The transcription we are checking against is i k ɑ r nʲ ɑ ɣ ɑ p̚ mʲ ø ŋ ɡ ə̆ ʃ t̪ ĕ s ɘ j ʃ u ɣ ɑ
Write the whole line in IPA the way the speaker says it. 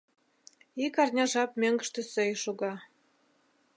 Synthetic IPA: i k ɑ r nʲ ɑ ʒ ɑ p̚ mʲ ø ŋ ɡ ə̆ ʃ t̪ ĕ s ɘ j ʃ u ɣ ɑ